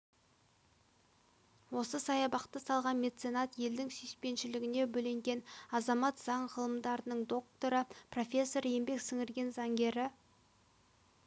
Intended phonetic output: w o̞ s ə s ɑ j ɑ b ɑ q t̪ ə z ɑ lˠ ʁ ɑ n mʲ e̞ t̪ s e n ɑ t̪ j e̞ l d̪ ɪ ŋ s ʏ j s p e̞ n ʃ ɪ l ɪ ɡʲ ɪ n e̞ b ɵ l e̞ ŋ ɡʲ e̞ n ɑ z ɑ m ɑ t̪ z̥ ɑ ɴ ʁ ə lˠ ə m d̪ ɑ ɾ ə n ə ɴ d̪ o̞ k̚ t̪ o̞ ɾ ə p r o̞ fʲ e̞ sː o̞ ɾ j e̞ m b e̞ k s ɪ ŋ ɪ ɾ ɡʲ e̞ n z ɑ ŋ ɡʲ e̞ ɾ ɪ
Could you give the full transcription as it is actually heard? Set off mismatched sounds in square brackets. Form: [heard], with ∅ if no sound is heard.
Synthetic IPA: w o̞ s ə s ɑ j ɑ b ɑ q t̪ ə [s] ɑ lˠ ʁ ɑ n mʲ e̞ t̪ s e n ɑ t̪ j e̞ l d̪ ɪ ŋ s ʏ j s p e̞ n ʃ ɪ l ɪ ɡʲ ɪ n e̞ b ɵ l e̞ ŋ ɡʲ e̞ n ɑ z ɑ m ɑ t̪ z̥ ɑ ɴ ʁ ə lˠ ə m d̪ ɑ ɾ ə n ə ɴ d̪ o̞ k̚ t̪ o̞ ɾ ə p r o̞ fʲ e̞ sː o̞ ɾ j e̞ m b e̞ k s ɪ ŋ ɪ ɾ ɡʲ e̞ n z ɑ ŋ ɡʲ e̞ ɾ ɪ